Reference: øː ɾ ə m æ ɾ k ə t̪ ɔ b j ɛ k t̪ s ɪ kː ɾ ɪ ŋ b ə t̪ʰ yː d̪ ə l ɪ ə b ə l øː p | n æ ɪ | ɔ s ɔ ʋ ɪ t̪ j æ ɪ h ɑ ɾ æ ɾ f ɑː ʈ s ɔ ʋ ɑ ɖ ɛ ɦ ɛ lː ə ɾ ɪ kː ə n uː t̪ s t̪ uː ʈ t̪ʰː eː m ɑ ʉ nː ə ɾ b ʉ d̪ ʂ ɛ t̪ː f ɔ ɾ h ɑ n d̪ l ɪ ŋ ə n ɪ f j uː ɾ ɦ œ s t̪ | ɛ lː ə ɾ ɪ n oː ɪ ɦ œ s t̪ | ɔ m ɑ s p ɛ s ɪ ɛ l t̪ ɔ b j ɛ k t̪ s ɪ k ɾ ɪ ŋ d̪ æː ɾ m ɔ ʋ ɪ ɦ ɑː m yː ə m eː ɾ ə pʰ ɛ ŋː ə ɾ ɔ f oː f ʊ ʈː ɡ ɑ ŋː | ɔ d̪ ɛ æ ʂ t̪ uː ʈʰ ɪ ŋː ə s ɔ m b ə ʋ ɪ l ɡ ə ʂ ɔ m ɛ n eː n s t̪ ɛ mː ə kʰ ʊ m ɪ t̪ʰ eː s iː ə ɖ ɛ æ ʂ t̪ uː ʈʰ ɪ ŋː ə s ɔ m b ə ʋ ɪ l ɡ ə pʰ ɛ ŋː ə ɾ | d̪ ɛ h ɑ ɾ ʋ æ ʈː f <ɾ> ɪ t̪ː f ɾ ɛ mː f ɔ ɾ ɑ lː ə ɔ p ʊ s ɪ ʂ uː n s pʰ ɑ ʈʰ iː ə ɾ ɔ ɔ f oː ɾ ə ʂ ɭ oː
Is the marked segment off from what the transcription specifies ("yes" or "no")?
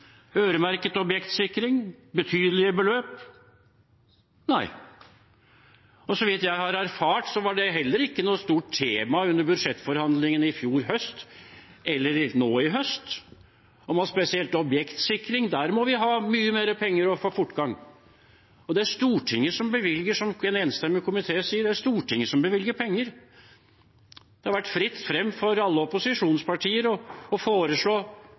no